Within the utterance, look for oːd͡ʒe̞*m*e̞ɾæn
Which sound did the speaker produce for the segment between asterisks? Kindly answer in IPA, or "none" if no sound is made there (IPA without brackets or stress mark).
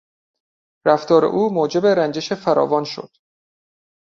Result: b